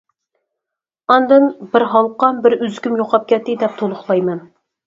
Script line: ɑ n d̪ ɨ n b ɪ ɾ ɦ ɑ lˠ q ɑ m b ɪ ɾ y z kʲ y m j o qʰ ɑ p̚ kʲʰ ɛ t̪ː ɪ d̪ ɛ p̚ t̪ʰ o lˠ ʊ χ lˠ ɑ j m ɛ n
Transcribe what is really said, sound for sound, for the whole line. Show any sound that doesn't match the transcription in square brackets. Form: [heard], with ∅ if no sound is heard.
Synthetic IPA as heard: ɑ n d̪ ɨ n b ɪ ɾ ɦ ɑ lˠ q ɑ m b ɪ ɾ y z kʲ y m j o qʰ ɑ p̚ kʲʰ ɛ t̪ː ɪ d̪ ɛ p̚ t̪ʰ o lˠ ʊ χ lˠ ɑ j m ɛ n